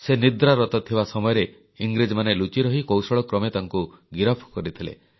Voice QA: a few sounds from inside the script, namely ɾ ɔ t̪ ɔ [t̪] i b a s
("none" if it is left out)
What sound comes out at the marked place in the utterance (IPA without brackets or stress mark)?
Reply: t̪ʰ